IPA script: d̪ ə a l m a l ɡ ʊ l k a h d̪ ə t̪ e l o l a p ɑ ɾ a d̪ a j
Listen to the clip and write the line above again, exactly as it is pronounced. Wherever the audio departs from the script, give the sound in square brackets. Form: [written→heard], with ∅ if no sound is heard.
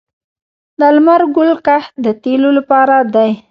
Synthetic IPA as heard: d̪ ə a l m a [l→ɾ] ɡ ʊ l k a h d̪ ə t̪ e l o l a p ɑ ɾ a d̪ a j

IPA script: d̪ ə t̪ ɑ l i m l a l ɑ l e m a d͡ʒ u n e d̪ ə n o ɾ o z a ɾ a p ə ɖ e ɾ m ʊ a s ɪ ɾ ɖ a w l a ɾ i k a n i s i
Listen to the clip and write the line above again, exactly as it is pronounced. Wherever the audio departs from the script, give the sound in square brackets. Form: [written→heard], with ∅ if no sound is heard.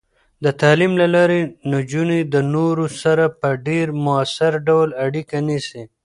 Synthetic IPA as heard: d̪ ə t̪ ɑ l i m l a l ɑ [l→ɾ] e [m→n] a d͡ʒ u n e d̪ ə n o ɾ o [z→s] a ɾ a p ə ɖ e ɾ m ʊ a s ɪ ɾ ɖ a w l a [ɾ→ɽ] i k a n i s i

